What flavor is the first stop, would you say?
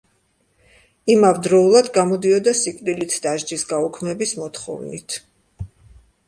plain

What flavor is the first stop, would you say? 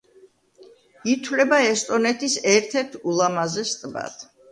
aspirated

